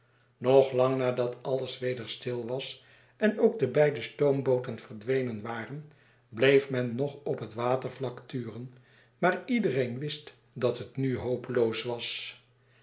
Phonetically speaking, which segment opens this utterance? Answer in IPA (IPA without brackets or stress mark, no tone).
n